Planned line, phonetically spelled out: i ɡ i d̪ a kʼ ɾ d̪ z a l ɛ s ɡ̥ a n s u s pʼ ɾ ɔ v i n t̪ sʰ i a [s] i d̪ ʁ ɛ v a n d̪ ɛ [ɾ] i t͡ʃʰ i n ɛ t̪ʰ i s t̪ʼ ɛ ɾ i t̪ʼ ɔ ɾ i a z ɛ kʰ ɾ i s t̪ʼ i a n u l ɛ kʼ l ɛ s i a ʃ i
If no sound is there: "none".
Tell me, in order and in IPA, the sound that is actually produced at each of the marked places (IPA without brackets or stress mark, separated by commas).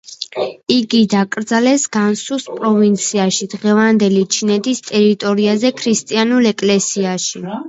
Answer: ʃ, l